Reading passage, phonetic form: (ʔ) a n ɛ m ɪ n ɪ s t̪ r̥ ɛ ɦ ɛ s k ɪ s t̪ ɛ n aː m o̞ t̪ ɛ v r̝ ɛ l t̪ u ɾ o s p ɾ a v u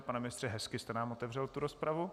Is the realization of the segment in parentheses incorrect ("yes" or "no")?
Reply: yes